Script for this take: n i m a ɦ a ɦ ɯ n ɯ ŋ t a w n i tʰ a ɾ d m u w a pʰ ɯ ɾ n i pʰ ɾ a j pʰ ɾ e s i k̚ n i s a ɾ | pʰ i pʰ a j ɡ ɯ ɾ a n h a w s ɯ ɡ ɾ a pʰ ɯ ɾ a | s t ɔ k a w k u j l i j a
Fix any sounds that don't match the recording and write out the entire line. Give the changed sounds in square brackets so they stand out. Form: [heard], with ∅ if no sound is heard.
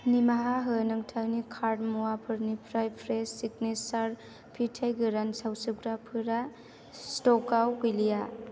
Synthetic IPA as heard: n i m a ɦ a ɦ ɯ n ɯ ŋ [tʰ] a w n i [kʰ] a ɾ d m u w a pʰ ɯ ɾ n i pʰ ɾ a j pʰ ɾ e s i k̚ n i s a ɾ | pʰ i [tʰ] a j ɡ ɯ ɾ a n [s] a w s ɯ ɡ ɾ a pʰ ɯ ɾ a | s t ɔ k a w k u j l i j a